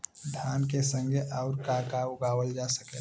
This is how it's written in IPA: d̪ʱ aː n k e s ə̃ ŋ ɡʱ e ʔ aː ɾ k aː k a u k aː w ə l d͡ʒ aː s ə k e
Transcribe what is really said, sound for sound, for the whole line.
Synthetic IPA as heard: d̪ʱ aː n k e s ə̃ ŋ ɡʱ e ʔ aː ɾ k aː k a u ɡ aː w ə l d͡ʒ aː s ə k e